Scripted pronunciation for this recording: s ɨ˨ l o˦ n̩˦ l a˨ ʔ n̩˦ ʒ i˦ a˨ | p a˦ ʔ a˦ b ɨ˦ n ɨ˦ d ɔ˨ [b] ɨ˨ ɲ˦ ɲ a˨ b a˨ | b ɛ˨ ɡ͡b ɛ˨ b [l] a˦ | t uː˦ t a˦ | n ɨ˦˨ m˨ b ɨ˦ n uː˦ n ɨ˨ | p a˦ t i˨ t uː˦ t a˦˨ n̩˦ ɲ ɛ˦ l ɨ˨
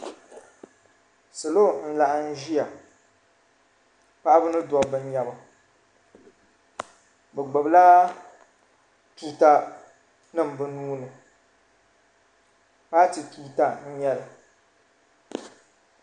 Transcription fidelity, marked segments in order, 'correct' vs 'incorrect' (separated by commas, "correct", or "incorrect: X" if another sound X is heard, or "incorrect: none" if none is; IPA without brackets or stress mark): correct, correct